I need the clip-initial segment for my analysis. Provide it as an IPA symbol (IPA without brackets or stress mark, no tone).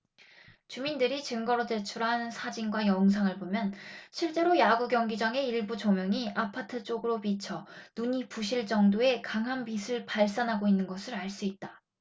t͡ɕ